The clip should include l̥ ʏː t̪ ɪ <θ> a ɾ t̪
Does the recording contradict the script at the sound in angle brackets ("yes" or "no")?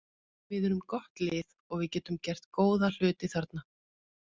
no